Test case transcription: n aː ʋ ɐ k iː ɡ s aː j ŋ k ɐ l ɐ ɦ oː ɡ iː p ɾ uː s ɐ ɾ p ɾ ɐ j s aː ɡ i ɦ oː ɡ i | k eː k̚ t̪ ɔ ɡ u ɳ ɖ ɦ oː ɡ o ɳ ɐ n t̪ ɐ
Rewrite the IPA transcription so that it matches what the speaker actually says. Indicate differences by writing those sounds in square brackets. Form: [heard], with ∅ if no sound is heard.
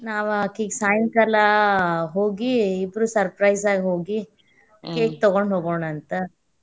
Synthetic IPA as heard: n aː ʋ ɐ k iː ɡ s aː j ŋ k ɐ l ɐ ɦ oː ɡ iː [b] ɾ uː s ɐ ɾ p ɾ ɐ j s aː ɡ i ɦ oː ɡ i | k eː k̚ t̪ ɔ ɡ [o] ɳ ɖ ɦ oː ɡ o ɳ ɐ n t̪ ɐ